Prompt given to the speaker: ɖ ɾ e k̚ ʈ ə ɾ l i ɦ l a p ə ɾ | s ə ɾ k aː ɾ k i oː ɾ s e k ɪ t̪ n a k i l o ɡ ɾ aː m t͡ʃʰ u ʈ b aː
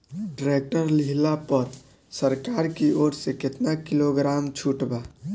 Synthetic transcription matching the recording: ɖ ɾ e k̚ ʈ ə ɾ l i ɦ l a p ə ɾ | s ə ɾ k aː ɾ k i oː ɾ s e k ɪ t̪ n a k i l o ɡ ɾ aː m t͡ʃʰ u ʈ b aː